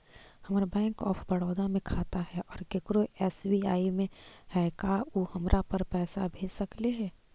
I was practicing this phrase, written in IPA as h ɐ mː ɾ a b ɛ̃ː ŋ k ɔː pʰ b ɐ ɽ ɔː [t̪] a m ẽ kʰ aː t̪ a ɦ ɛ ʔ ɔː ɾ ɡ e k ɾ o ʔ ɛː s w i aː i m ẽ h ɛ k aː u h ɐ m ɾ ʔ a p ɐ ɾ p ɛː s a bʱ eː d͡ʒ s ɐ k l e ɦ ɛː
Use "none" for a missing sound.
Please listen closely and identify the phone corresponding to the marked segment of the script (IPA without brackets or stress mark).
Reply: d̪